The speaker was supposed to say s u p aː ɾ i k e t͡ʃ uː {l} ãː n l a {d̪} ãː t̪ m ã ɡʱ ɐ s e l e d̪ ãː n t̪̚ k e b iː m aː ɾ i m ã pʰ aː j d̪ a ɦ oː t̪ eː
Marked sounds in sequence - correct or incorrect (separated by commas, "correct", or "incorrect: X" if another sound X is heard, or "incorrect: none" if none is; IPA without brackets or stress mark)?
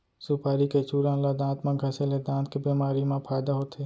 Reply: incorrect: ɾ, correct